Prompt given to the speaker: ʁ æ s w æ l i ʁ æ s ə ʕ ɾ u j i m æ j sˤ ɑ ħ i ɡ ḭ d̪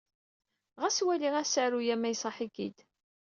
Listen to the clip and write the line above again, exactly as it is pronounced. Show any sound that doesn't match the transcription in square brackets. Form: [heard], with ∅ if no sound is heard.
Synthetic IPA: ʁ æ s w æ l i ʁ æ s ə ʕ ɾ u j [æ] m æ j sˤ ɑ ħ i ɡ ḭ d̪